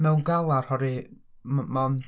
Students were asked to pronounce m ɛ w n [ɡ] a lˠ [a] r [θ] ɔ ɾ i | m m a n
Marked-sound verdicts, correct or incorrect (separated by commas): correct, correct, incorrect